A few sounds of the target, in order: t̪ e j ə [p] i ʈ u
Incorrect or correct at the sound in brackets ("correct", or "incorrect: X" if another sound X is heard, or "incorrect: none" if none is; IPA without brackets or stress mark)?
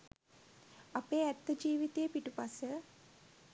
correct